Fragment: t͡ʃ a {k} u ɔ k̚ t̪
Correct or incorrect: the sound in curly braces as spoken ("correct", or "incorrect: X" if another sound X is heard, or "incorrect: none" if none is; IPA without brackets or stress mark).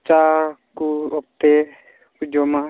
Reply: correct